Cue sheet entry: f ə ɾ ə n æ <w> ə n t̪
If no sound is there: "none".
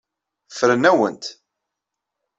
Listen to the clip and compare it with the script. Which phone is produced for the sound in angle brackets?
w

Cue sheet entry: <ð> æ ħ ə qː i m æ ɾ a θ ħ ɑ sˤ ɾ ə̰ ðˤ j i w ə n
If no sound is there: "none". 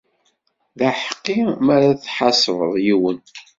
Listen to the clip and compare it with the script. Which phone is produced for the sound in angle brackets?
ð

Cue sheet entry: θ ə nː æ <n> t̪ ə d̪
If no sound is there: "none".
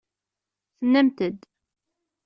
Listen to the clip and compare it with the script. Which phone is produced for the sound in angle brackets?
m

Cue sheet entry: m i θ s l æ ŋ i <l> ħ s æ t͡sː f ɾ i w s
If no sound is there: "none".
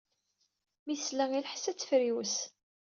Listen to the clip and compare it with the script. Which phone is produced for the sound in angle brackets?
l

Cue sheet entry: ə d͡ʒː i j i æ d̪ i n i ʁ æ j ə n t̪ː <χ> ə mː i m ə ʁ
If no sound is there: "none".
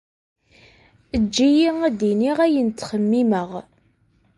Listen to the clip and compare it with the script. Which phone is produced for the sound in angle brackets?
χ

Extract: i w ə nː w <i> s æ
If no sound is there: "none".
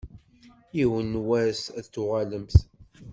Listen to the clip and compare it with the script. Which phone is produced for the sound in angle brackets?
æ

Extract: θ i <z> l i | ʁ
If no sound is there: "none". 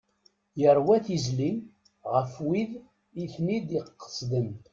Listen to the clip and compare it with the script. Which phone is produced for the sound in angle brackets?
z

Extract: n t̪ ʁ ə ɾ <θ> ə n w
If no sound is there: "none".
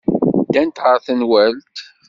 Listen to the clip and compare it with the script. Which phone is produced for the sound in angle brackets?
θ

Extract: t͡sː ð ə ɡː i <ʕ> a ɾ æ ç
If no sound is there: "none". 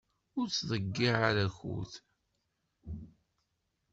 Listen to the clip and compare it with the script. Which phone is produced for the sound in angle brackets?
ʕ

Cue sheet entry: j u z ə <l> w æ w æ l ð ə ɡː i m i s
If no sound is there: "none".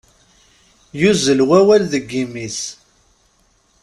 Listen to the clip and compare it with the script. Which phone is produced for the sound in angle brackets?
l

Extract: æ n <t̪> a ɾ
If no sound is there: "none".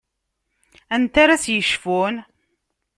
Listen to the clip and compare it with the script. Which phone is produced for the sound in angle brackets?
t̪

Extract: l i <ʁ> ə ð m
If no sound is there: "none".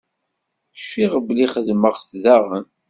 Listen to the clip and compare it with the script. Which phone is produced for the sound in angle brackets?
χ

